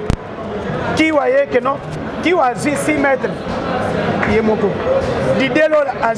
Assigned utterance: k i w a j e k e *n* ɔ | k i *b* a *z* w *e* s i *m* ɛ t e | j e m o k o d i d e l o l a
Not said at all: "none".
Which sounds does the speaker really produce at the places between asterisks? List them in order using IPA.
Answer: n, w, z, i, m

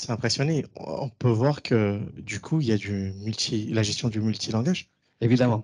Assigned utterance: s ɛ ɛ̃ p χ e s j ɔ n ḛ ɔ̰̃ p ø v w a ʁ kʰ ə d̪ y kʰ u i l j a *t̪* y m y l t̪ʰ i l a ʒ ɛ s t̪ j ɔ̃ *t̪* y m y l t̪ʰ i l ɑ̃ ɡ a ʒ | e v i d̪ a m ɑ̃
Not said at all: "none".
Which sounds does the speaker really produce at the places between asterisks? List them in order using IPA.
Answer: d̪, d̪

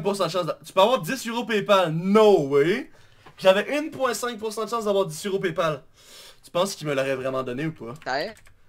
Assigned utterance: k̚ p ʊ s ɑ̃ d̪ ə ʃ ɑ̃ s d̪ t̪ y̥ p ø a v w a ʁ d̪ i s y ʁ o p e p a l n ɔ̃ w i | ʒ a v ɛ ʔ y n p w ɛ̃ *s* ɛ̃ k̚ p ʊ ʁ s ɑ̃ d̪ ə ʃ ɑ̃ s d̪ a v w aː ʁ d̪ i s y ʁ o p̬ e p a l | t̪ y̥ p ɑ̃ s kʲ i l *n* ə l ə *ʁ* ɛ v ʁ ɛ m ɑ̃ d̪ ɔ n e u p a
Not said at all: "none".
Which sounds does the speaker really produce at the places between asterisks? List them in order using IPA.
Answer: s, m, ʁ

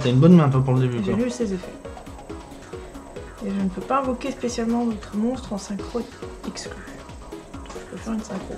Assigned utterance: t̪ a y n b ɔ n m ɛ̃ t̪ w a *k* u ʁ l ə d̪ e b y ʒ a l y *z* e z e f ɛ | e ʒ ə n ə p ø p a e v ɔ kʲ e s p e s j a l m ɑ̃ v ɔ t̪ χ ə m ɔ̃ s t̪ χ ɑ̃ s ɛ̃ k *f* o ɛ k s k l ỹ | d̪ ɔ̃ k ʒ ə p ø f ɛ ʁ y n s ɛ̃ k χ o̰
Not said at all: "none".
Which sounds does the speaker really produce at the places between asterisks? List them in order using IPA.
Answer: p, s, χ

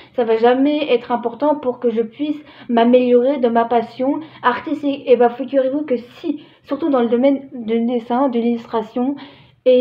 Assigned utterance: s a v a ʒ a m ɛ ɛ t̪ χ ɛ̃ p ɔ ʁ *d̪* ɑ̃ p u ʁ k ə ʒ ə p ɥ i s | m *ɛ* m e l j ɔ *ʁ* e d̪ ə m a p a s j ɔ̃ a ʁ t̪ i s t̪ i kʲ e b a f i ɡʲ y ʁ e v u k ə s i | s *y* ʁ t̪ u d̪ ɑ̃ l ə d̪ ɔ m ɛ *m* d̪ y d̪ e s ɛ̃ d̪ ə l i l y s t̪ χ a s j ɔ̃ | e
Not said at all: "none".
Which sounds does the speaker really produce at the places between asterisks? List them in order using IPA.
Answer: t̪, a, ʁ, y, n

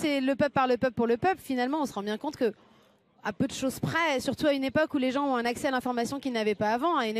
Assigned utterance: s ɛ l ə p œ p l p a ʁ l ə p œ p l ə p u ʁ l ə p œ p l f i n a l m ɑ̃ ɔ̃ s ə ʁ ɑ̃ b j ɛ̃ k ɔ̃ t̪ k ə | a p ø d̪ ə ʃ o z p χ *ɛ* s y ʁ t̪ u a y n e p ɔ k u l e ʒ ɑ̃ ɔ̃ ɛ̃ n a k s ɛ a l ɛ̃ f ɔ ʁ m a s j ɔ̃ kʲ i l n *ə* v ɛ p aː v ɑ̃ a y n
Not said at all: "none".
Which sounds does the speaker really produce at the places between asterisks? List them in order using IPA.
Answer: ɛ, a

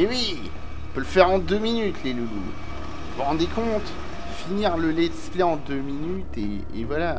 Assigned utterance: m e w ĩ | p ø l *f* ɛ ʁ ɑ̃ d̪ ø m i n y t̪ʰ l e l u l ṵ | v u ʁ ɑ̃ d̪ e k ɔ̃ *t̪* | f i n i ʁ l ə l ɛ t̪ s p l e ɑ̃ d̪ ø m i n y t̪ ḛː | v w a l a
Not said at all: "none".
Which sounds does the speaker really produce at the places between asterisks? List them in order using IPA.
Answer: f, t̪

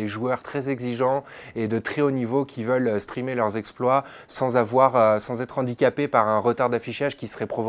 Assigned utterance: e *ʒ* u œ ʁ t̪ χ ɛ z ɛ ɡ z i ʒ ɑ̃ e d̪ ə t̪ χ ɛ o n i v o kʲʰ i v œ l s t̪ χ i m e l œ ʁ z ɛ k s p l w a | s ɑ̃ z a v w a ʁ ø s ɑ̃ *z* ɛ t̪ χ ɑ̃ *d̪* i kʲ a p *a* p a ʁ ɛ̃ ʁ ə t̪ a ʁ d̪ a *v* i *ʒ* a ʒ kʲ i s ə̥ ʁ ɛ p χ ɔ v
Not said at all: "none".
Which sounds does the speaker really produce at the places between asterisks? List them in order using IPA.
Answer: ʒ, z, d̪, e, f, ʃ

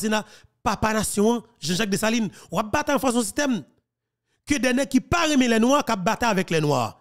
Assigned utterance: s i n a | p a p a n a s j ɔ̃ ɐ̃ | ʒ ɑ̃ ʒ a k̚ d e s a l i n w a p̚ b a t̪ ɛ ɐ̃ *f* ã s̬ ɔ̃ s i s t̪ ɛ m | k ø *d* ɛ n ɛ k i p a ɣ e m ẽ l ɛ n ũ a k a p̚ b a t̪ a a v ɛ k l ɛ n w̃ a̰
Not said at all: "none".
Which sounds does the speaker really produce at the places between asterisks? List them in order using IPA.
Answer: f, d

